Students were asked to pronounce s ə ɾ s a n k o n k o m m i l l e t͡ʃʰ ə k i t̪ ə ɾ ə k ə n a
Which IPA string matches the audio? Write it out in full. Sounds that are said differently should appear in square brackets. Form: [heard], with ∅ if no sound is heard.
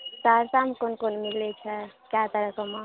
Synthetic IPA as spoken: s [a] ɾ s a [m] k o n k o [n] m i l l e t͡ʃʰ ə k [a] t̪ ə ɾ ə k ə [m] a